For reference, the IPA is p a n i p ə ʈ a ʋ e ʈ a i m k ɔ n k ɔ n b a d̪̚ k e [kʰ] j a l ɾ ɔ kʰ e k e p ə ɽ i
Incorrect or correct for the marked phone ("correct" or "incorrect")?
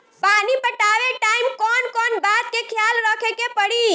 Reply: correct